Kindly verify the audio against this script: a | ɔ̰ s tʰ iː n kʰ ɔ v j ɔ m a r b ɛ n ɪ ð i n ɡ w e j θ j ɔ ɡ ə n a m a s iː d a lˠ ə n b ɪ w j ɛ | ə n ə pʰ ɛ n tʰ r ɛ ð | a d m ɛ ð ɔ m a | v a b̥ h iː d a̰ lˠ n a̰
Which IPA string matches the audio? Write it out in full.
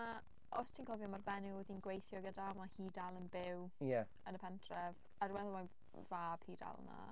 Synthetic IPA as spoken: a | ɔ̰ s tʰ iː n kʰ ɔ v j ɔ m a r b ɛ n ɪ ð i n ɡ w e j θ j ɔ ɡ ə d a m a h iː d a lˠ ə n b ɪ w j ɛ | ə n ə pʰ ɛ n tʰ r ɛ v | a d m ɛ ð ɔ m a | v a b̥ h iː d a̰ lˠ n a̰

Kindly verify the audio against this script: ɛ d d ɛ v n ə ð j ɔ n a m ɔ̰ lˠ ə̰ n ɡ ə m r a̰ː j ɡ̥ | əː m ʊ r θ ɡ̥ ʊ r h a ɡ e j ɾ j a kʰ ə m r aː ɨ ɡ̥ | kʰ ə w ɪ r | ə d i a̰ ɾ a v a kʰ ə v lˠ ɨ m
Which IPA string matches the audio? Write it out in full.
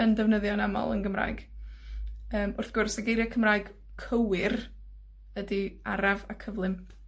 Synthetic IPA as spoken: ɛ n d ɛ v n ə ð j ɔ n a m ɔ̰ lˠ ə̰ n ɡ ə m r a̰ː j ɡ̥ | əː m ʊ r θ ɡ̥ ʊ r s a ɡ e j ɾ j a kʰ ə m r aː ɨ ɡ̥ | kʰ ə w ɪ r | ə d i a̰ ɾ a v a kʰ ə v lˠ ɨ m

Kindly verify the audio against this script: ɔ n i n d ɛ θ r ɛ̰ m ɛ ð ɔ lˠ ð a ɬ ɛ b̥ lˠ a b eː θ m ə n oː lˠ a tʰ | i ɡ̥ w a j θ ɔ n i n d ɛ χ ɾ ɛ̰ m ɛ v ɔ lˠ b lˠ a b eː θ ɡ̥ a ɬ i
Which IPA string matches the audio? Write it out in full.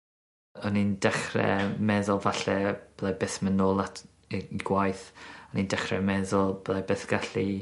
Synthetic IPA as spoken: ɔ n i n d ɛ χ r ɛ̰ m ɛ ð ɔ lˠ v a ɬ ɛ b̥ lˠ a b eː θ m ə n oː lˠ a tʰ | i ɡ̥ w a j θ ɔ n i n d ɛ χ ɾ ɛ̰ m ɛ ð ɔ lˠ b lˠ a b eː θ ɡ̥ a ɬ i

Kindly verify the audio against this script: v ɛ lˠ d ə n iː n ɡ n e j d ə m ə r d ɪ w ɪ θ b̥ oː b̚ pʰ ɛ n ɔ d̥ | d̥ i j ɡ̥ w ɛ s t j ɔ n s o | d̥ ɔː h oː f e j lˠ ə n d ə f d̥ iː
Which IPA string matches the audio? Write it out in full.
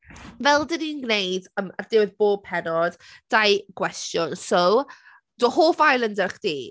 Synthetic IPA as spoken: v ɛ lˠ d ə n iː n ɡ n e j d ə m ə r d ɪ w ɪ ð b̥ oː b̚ pʰ ɛ n ɔ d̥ | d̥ a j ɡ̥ w ɛ s t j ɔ n s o | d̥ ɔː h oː f a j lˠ ə n d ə χ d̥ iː

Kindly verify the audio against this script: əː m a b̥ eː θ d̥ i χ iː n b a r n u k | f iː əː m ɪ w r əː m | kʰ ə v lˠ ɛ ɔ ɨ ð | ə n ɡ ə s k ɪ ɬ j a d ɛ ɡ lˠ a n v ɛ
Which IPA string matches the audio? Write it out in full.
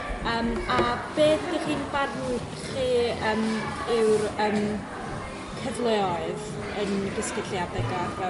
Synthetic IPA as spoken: əː m a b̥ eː θ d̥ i χ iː n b a r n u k | χ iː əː m ɪ w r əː m | kʰ ə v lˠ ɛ ɔ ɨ ð | ə n ɡ ə s k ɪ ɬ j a d ɛ ɡ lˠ a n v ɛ

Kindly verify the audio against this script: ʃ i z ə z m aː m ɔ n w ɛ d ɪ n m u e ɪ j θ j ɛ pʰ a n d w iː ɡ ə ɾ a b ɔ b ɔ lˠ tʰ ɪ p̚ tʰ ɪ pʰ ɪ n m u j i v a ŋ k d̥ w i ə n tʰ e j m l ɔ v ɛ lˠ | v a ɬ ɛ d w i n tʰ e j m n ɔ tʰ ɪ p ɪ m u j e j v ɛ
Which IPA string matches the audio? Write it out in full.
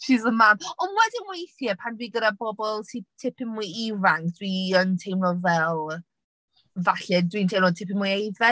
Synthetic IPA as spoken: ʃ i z ə m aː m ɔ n w ɛ d ɪ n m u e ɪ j θ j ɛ pʰ a n d w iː ɡ ə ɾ a b ɔ b ɔ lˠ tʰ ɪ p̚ tʰ ɪ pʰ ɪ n m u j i v a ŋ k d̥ w i ə n tʰ e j m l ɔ v ɛ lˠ | v a ɬ ɛ d w i n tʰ e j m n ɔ tʰ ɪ p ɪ m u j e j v ɛ

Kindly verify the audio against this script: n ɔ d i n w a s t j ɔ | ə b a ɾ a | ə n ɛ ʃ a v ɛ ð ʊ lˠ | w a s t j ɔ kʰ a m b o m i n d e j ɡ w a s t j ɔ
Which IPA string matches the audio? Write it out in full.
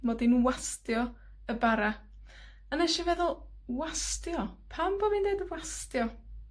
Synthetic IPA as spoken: m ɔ d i n w a s t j ɔ | ə b a ɾ a | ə n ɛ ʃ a v ɛ ð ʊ lˠ | w a s t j ɔ pʰ a m b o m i n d e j d w a s t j ɔ

